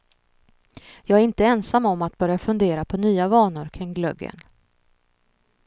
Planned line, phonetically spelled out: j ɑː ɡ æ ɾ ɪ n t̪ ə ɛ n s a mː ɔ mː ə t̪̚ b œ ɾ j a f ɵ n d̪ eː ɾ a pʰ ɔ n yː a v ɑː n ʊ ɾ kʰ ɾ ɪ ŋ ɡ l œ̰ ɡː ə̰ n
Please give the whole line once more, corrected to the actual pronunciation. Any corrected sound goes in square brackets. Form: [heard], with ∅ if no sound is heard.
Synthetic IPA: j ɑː ɡ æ ɾ ɪ n t̪ ə ɛ n s a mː ɔ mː [a] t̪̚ b œ ɾ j a f ɵ n d̪ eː ɾ a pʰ ɔ n yː a v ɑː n ʊ ɾ kʰ ɾ ɪ ŋ ɡ l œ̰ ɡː ə̰ n